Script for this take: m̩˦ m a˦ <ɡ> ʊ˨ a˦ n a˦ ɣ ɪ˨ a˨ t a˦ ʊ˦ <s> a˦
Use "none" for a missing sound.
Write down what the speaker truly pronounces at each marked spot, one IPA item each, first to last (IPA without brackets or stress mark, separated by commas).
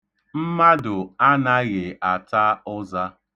d, z